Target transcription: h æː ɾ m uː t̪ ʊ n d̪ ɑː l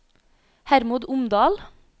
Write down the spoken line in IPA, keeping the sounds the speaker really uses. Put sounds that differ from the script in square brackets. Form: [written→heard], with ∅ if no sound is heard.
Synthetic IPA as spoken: h [æː→æ] ɾ m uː [t̪→d̪] ʊ [n→m] d̪ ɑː l